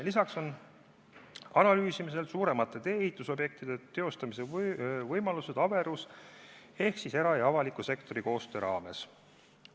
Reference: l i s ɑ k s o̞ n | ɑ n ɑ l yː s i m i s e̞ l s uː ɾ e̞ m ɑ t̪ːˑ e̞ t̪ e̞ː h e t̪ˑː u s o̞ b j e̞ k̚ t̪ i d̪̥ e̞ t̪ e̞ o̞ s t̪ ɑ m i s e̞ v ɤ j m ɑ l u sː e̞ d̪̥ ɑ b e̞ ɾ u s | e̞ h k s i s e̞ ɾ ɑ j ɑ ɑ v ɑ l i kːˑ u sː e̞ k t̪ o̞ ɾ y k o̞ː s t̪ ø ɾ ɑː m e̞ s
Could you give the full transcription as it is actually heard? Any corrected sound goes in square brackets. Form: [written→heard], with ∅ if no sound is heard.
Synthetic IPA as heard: l i s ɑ k s o̞ n | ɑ n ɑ l yː s i m i s e̞ l s uː ɾ e̞ m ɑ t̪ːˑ e̞ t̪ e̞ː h [e→i] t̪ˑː u s o̞ b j e̞ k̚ t̪ i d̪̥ e̞ t̪ e̞ o̞ s t̪ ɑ m i s e̞ v ɤ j m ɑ l u [sː→s] e̞ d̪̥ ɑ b e̞ ɾ u s | e̞ h k s i s e̞ ɾ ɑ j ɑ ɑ v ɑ l i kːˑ u [sː→s] e̞ k t̪ o̞ ɾ [y→i] k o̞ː s t̪ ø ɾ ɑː m e̞ s